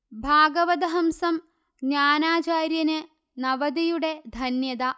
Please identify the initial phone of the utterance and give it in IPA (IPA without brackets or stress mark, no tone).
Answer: bʱ